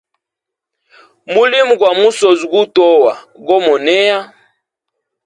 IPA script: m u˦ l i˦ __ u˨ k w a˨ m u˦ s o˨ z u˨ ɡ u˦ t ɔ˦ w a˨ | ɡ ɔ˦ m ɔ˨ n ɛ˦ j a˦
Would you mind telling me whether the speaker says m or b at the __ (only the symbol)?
m